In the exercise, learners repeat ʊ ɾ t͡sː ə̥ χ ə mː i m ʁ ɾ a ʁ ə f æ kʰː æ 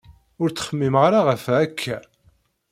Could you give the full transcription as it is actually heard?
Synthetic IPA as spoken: ʊ ɾ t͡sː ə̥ χ ə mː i m ʁ ɾ a ʁ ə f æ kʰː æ